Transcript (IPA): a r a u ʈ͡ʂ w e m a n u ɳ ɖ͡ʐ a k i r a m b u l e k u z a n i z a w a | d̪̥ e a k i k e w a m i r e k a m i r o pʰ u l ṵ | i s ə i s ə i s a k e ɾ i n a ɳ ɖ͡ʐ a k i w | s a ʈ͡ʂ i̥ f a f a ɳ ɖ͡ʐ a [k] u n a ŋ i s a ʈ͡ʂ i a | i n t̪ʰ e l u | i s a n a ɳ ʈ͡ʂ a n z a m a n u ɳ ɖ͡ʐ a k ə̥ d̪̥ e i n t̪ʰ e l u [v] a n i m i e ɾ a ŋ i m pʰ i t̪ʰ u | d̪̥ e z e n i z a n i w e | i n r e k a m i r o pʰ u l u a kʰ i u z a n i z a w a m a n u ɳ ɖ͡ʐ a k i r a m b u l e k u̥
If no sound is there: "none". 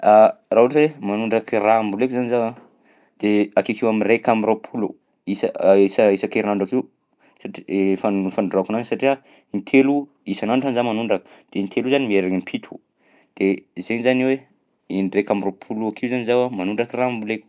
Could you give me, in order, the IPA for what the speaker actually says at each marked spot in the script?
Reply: k, z

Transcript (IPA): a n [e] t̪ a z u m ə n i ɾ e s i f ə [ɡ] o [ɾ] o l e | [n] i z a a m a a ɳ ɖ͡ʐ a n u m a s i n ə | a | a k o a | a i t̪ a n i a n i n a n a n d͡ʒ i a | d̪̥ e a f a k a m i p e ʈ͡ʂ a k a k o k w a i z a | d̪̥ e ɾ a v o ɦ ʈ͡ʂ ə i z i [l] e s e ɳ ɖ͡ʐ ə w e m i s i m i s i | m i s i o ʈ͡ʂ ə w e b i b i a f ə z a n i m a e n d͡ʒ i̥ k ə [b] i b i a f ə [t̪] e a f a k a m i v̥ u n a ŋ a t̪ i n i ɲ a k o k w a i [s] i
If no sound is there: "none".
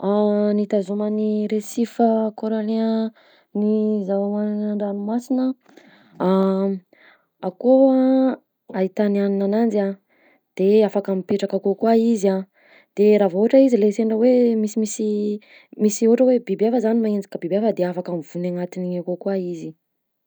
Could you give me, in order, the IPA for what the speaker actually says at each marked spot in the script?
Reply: i, k, ɾ, n, l, b, d̪, z

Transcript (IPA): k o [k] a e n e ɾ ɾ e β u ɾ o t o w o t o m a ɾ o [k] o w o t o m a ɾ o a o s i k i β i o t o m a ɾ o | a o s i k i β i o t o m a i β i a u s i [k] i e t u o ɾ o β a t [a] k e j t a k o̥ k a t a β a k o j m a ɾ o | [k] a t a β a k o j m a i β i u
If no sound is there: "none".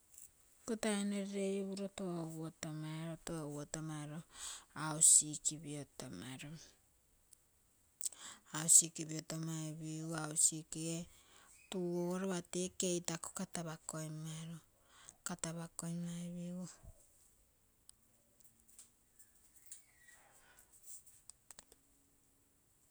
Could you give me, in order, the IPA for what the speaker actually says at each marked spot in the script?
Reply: t, t, k, e, k

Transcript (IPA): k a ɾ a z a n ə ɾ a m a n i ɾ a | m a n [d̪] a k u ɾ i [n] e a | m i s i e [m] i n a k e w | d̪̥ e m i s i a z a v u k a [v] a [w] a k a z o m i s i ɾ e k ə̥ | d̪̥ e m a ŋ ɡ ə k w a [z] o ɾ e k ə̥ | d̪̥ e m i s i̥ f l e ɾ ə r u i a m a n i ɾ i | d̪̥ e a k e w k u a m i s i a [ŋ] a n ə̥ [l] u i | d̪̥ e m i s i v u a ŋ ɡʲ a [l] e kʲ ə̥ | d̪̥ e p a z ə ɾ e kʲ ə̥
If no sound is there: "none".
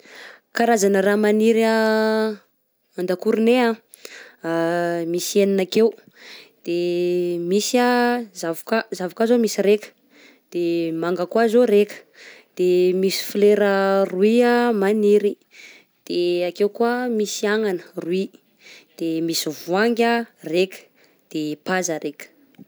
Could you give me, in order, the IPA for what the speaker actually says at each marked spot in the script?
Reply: d̪, n, n, z, v, z, ŋ, r, r

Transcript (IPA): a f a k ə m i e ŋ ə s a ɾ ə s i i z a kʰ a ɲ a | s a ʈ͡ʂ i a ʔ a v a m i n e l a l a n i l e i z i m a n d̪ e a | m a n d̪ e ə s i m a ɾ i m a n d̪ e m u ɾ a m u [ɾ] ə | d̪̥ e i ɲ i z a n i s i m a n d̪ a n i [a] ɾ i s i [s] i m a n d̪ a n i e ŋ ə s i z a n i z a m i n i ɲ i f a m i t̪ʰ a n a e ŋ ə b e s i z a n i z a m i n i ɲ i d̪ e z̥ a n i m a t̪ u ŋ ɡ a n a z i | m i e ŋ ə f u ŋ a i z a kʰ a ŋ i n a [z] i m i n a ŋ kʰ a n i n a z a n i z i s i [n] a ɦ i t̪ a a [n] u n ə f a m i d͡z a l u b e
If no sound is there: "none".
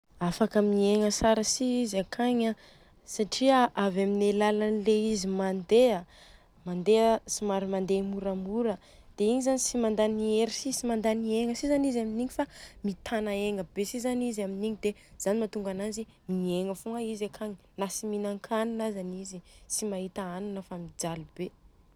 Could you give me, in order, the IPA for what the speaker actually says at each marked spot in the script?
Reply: ɾ, e, s, s, m, n

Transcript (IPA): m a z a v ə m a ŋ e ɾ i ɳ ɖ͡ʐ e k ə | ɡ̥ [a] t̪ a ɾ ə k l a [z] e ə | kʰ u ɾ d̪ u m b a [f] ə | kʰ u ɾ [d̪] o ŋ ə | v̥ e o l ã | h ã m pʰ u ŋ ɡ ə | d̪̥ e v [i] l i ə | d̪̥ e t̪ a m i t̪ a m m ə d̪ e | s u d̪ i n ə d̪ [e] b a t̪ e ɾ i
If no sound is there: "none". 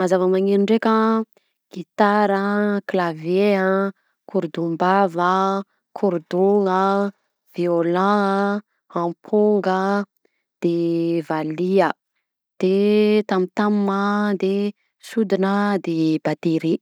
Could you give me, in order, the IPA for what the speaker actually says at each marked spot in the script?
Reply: i, v, v, d̪, a, e

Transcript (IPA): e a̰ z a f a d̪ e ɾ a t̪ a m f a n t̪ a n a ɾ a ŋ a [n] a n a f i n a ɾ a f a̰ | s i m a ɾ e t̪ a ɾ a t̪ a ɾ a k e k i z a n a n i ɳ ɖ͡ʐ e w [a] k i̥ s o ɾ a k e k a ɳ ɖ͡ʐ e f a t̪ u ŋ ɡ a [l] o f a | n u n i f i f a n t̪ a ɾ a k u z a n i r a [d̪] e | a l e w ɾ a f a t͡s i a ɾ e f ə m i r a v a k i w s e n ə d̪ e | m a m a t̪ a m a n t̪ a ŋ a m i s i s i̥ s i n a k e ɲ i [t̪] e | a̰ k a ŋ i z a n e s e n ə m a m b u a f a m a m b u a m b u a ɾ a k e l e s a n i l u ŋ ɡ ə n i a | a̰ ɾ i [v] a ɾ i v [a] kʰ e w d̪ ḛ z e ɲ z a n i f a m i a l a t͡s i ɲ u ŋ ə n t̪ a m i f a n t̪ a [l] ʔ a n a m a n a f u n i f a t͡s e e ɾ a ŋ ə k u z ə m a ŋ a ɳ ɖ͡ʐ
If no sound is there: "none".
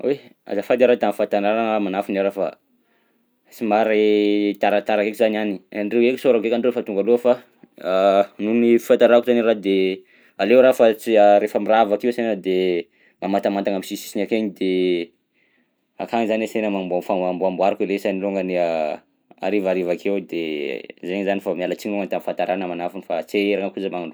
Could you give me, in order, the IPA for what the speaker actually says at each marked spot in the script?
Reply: m, e, l, d̪, d̪, v, a, ɾ

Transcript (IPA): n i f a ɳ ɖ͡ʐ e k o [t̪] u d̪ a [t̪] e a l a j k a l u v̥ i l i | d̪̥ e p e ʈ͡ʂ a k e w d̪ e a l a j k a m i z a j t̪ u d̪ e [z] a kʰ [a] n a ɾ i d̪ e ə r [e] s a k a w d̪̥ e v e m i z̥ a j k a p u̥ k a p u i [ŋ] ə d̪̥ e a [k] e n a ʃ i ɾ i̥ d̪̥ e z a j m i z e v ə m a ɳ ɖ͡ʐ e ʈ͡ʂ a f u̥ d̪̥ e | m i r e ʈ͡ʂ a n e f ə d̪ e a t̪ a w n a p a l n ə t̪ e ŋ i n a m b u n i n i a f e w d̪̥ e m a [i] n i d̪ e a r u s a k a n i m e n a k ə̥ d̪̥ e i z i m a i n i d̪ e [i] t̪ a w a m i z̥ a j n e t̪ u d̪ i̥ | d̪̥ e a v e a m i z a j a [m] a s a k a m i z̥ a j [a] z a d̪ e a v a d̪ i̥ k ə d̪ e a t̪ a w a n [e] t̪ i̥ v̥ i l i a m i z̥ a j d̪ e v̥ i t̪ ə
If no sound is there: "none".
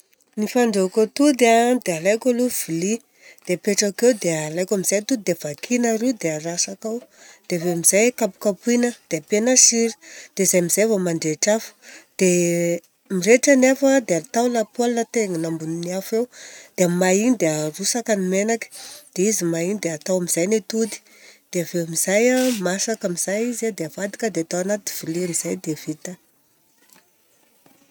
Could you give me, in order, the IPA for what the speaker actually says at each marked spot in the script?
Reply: t̪, d̪, v, i, a, n, p, i, a, m, i, a

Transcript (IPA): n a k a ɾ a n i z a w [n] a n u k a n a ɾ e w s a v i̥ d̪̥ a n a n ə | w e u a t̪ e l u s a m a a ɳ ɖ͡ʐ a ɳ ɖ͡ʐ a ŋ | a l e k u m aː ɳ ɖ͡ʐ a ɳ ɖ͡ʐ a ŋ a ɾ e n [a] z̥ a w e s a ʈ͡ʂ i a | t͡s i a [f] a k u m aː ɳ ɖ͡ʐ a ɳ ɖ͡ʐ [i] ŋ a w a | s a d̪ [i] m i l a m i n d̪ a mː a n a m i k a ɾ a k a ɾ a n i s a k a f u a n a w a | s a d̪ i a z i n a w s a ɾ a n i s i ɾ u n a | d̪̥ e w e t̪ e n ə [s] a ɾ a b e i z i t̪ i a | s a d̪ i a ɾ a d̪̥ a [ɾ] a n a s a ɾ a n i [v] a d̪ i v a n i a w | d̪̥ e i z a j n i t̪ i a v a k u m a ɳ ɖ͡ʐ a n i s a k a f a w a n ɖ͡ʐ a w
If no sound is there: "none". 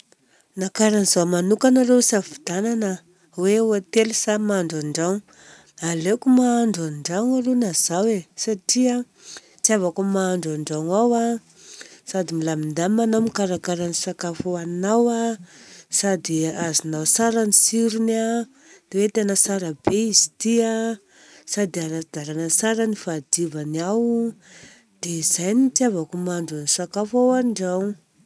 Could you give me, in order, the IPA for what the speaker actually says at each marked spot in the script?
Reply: m, a, v, a, i, s, ɾ, f

